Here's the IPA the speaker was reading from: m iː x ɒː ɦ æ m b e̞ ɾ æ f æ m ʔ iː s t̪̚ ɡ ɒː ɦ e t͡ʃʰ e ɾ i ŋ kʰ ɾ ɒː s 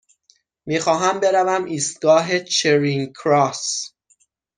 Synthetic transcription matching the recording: m iː x ɒː ɦ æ m b e̞ ɾ æ v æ m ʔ iː s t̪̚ ɡ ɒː ɦ e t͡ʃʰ e ɾ i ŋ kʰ ɾ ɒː s